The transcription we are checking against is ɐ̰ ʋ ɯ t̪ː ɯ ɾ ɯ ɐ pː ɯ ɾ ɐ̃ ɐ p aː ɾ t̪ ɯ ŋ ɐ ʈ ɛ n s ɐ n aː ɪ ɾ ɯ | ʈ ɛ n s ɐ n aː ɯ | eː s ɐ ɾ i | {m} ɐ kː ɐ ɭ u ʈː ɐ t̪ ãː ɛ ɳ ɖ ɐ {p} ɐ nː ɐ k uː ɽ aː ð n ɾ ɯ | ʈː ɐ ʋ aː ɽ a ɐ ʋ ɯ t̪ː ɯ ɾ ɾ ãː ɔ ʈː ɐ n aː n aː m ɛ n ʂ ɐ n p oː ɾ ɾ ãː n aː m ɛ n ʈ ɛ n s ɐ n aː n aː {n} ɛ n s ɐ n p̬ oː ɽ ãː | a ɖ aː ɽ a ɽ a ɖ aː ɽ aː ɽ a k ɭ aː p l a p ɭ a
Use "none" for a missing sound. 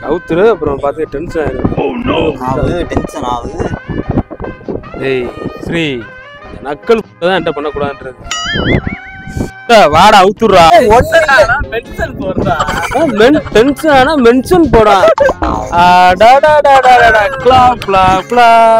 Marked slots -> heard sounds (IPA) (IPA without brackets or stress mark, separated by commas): n, p, m